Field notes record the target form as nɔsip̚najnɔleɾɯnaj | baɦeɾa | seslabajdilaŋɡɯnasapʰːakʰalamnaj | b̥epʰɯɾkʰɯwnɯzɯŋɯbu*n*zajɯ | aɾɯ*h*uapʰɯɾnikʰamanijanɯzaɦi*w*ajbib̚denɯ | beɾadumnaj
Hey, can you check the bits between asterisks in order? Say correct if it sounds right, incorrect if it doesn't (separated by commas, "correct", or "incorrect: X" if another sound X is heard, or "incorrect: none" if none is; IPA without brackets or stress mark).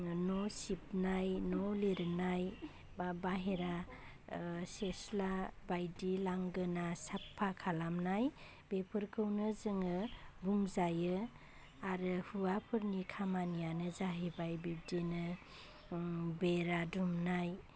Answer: incorrect: ŋ, correct, incorrect: b